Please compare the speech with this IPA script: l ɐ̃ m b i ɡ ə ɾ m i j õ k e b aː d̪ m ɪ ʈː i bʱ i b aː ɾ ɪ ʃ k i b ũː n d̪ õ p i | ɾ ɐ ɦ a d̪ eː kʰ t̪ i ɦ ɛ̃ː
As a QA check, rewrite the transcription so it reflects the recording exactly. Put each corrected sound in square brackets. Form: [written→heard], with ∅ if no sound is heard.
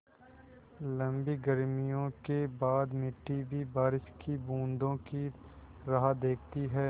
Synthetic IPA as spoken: l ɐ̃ m b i ɡ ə ɾ m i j õ k e b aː d̪ m ɪ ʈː i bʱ i b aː ɾ ɪ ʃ k i b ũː n d̪ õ [p→k] i | ɾ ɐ ɦ a d̪ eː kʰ t̪ i ɦ [ɛ̃ː→ɛː]

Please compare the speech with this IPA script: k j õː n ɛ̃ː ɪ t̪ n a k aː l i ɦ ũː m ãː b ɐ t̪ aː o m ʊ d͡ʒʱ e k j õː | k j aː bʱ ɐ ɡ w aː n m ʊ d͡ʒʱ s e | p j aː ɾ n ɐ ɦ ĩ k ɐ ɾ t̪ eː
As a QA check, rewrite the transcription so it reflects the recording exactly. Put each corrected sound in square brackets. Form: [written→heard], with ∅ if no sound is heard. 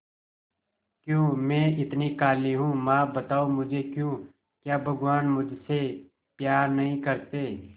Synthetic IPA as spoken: k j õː [n→m] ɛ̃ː ɪ t̪ n [a→i] k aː l i ɦ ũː m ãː b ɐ t̪ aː o m ʊ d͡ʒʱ e k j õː | k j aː bʱ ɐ ɡ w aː n m ʊ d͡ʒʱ s e | p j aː ɾ n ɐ ɦ ĩ k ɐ ɾ t̪ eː

